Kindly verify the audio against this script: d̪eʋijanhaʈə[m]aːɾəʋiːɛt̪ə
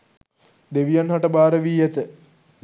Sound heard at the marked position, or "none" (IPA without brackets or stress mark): b